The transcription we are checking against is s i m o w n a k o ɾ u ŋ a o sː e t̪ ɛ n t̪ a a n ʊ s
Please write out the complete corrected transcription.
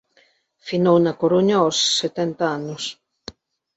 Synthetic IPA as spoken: f i n o w n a k o ɾ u ɲ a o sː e t̪ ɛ n t̪ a a n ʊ s